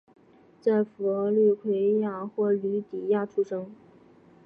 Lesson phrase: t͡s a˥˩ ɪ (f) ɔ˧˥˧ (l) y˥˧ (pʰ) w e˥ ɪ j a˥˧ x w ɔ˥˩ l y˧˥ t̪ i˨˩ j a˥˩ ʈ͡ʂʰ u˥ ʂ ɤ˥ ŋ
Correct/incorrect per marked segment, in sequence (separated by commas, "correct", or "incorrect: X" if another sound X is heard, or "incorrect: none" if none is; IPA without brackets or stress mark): correct, correct, incorrect: kʰ